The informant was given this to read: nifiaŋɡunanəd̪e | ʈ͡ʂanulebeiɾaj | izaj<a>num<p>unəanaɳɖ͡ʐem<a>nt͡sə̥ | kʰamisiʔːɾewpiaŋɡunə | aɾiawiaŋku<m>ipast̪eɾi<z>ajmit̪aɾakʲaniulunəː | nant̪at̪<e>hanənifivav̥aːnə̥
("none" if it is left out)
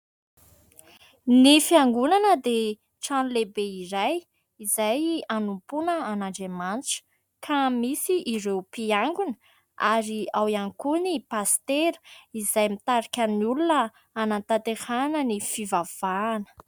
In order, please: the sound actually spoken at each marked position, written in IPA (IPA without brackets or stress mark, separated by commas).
a, p, a, n, z, e